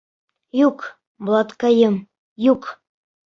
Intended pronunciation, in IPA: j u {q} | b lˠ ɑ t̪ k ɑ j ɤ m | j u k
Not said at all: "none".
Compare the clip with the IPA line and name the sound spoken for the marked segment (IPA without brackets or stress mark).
k